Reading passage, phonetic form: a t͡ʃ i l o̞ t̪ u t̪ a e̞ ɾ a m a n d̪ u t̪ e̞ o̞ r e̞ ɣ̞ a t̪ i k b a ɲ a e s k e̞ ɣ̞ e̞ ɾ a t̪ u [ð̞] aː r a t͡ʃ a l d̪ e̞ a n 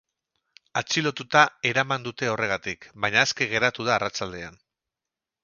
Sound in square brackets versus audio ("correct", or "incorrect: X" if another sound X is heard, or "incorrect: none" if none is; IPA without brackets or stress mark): correct